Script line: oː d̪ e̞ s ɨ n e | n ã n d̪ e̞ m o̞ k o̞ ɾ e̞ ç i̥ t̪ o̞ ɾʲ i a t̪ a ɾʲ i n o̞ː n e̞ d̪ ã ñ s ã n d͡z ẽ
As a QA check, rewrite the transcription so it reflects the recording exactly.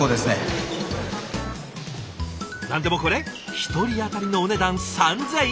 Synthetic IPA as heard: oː d̪ e̞ s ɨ n e | n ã n d̪ e̞ m o̞ k o̞ ɾ e̞ ç i̥ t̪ o̞ ɾʲ i a t̪ a ɾʲ i n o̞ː n e̞ d̪ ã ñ s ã n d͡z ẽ